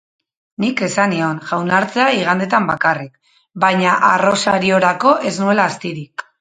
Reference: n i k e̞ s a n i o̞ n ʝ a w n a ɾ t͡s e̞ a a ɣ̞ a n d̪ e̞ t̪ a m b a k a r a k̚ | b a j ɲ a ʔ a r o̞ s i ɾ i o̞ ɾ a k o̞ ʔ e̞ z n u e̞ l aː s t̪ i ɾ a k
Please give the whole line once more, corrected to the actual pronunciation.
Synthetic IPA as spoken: n i k e̞ s a n i o̞ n ʝ a w n a ɾ t͡s e̞ a i ɣ̞ a n d̪ e̞ t̪ a m b a k a r i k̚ | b a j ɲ a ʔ a r o̞ s a ɾ i o̞ ɾ a k o̞ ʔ e̞ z n u e̞ l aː s t̪ i ɾ i k